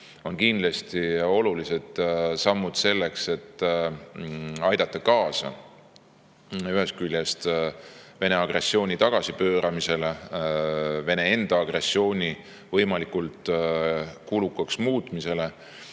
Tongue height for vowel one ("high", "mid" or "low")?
mid